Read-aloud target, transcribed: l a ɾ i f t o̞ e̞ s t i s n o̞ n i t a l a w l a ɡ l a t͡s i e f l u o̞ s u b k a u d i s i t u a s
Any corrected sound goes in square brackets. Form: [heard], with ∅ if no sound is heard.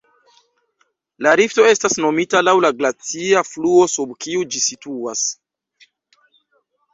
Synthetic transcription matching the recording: l a ɾ i f t o̞ e̞ s t [a] s n o̞ [m] i t a l a w l a ɡ l a t͡s i [a] f l u o̞ s u b k [i] u [d͡ʒ] i s i t u a s